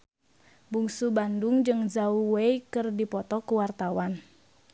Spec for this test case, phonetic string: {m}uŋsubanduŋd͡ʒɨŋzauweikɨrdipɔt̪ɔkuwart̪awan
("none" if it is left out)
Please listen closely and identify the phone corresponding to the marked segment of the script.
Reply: b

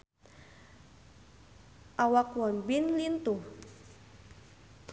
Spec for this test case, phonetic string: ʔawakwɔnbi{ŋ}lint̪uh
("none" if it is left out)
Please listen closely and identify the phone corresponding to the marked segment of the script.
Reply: n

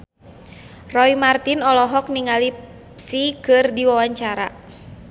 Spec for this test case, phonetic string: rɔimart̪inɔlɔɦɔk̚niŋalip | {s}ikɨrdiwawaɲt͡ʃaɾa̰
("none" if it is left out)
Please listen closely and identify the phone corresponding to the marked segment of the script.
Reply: s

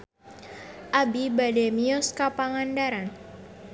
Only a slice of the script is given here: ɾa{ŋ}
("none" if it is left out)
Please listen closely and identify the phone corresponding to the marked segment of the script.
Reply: n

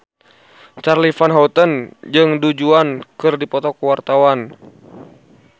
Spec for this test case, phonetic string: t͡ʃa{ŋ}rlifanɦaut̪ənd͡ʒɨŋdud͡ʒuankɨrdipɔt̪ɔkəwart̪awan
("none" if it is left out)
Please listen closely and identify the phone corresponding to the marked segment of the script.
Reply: none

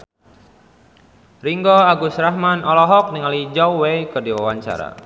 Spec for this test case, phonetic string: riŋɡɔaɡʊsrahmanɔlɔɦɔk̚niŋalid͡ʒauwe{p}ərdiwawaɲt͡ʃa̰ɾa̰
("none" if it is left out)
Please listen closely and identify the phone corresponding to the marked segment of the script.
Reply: k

